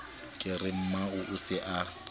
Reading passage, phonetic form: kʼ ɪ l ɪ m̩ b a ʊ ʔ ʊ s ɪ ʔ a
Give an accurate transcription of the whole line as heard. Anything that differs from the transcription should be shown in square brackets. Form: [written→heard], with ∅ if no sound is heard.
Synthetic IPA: kʼ ɪ [l→r] ɪ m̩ [b→m] a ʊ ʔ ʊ s ɪ ʔ a

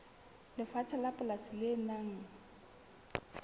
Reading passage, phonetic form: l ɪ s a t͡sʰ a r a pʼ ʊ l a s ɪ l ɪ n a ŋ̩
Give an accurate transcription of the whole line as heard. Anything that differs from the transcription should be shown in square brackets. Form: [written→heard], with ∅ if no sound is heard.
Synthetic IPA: l ɪ [s→f] a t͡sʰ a [r→l] a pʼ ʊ l a s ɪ l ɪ n a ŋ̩

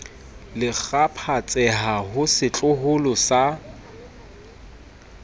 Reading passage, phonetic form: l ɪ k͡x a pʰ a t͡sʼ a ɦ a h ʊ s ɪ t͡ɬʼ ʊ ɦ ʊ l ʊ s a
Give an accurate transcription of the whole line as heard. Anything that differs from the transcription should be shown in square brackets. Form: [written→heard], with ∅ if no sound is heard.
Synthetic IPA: l ɪ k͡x a pʰ a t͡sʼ [a→ɛ] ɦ a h ʊ s ɪ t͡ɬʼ ʊ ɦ ʊ l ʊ s a

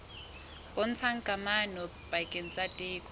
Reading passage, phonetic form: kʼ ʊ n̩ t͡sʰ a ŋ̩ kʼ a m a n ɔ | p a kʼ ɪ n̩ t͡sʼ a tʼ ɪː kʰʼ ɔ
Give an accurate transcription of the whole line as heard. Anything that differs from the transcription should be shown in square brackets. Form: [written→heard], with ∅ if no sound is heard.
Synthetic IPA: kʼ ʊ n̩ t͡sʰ a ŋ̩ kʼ a m a n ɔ | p a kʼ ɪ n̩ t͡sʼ a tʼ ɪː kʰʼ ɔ

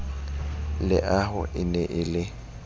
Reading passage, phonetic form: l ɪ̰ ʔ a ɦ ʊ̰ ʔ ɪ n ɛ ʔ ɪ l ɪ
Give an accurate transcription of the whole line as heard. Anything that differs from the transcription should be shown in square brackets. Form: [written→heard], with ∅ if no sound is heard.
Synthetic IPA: l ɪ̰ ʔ a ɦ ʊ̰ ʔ ɪ n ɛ ʔ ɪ l ɪ

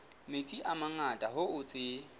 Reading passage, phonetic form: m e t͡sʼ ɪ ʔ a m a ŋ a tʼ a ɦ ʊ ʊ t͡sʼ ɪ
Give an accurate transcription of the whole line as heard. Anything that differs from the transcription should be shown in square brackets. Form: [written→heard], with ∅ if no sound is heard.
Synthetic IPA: m e t͡sʼ [ɪ→i] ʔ a m a ŋ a tʼ a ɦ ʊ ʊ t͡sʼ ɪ

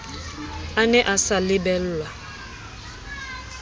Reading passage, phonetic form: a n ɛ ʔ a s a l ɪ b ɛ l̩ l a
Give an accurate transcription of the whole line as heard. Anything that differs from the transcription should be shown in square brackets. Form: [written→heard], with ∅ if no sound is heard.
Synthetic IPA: a n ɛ ʔ a s a l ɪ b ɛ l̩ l a

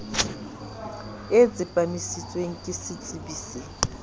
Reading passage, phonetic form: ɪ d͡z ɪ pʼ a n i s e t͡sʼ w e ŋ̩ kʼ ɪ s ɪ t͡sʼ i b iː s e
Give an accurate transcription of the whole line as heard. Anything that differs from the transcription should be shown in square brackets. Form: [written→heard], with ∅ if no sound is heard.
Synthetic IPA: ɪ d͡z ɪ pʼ a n i s [e→i] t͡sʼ w e ŋ̩ kʼ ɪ s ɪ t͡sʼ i b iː s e

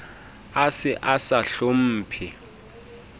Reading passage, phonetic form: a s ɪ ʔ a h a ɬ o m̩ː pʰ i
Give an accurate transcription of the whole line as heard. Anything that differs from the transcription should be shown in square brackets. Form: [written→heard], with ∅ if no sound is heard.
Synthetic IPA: a s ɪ ʔ a [h→s] a ɬ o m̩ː pʰ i

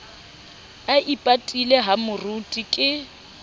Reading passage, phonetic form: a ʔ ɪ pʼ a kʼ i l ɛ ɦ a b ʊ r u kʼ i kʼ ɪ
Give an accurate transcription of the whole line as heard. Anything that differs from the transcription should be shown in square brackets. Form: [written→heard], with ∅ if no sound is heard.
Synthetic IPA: a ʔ [ɪ→i] pʼ a [kʼ→tʼ] i l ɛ ɦ a [b→m] ʊ r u [kʼ→tʼ] i kʼ ɪ

